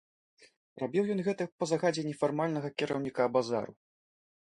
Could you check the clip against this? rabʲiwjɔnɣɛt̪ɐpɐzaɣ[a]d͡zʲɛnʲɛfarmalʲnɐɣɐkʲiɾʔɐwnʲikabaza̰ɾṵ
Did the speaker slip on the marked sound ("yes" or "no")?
no